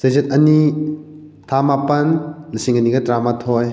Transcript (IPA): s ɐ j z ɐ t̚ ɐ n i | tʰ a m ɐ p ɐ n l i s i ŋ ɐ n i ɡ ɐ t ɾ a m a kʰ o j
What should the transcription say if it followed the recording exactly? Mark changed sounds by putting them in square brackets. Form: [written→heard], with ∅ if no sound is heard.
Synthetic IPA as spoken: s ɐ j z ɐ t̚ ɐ n i | tʰ a m [ɐ→a] p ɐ n l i s i ŋ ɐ n i ɡ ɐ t ɾ a m a [kʰ→tʰ] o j